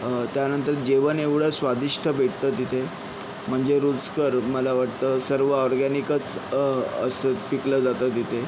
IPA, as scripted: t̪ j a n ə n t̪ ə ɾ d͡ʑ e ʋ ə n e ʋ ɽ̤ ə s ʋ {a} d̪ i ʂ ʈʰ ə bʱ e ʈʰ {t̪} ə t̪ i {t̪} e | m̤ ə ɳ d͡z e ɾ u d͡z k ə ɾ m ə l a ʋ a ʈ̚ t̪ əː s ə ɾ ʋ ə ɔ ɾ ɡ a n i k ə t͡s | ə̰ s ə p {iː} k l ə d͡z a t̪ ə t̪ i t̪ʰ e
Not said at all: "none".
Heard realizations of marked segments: a, t̪, t̪ʰ, i

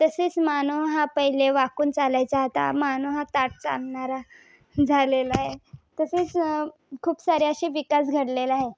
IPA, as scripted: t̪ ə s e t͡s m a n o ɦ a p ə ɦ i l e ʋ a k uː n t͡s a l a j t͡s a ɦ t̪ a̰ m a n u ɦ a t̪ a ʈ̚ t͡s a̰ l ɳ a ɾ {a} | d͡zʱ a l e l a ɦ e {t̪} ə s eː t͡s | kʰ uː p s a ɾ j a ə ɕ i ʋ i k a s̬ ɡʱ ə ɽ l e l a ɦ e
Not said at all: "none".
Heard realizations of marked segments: a, t̪

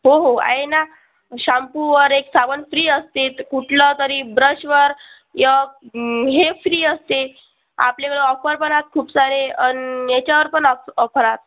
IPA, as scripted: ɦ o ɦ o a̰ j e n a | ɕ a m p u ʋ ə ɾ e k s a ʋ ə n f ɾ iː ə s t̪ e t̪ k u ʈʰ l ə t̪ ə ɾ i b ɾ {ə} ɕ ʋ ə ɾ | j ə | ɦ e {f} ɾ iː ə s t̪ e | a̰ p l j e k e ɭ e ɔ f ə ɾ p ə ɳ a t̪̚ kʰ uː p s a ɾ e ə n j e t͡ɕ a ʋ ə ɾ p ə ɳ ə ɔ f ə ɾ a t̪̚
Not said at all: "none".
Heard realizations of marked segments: ə, f

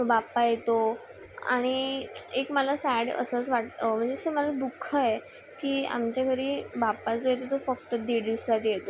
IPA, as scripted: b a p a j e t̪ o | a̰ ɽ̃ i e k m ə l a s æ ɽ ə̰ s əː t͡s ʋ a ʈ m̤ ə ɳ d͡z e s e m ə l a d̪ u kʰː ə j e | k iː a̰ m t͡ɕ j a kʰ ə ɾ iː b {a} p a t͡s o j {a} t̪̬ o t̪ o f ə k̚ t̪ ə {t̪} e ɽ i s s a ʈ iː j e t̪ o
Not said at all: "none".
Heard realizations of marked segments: a, e, d̪

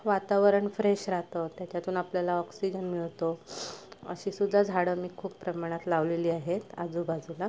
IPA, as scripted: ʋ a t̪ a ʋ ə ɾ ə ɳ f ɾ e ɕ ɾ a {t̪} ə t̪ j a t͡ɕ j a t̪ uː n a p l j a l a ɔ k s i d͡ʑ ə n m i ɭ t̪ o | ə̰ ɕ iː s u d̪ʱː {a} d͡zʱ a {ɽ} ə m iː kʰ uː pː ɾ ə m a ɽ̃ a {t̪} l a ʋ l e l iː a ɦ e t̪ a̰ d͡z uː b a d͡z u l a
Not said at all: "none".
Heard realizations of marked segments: t̪, a, ɽ, t̪

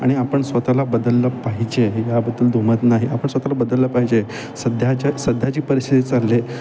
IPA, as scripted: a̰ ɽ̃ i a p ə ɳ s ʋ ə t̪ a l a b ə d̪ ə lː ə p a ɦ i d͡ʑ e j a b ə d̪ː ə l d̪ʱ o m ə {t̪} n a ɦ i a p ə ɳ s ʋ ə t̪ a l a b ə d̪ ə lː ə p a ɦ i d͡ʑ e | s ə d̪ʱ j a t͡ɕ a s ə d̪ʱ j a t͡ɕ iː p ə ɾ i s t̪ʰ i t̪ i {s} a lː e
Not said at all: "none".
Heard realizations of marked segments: t̪, t͡s

